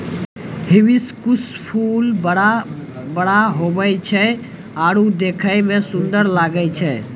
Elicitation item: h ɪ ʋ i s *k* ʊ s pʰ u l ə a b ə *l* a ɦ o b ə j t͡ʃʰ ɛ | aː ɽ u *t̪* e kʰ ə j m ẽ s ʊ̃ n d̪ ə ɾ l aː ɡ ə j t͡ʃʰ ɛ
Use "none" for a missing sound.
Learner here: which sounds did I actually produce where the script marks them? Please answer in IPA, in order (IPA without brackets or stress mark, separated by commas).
k, ɽ, d̪